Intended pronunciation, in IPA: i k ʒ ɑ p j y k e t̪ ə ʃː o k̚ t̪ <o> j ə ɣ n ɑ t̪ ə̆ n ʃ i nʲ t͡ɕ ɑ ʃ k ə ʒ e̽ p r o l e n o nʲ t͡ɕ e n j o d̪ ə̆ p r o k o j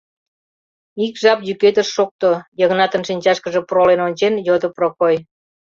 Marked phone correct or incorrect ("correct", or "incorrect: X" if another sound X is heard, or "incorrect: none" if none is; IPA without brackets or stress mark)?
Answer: correct